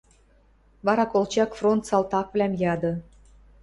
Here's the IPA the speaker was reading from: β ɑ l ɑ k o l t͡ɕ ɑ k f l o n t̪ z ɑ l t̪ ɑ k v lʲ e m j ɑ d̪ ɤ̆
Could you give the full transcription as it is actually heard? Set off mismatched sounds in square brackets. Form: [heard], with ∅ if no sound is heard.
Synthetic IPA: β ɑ [ɾ] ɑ k o l t͡ɕ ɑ k f [r] o n t̪ [s] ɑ l t̪ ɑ k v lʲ [æ] m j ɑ d̪ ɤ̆